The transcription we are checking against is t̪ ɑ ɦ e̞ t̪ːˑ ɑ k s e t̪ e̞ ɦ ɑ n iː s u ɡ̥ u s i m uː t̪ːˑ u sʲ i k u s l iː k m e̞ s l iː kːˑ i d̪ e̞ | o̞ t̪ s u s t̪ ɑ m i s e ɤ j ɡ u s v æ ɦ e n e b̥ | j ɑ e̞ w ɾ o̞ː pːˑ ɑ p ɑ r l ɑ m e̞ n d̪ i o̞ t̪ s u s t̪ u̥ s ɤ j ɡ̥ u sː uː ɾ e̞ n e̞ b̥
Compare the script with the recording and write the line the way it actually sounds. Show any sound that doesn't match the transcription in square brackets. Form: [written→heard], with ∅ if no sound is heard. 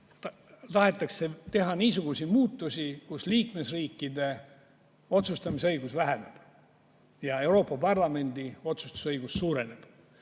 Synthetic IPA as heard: t̪ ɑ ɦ e̞ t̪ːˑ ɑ k s e t̪ e̞ ɦ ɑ n iː s u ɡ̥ u s i m uː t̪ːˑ u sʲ i k u s l iː k m e̞ s [l→r] iː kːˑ i d̪ e̞ | o̞ t̪ s u s t̪ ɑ m i s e ɤ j ɡ u s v æ ɦ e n e b̥ | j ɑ e̞ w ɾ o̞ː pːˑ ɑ p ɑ r l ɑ m e̞ n d̪ i o̞ t̪ s u s t̪ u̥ s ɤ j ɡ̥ u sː uː ɾ e̞ n e̞ b̥